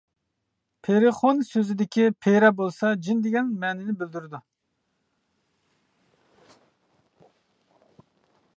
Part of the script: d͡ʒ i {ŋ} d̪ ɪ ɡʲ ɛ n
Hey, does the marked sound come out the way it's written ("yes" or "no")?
no